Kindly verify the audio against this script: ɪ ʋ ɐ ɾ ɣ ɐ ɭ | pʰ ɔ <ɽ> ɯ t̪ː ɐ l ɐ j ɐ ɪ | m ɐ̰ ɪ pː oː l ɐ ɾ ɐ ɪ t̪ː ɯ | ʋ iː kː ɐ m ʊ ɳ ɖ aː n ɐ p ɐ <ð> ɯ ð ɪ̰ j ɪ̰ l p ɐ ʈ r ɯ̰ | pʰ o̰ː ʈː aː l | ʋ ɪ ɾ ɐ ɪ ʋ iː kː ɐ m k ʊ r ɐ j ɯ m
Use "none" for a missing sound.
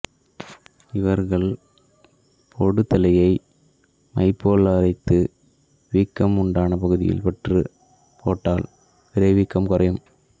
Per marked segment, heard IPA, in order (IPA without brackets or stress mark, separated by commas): ɽ, ɣ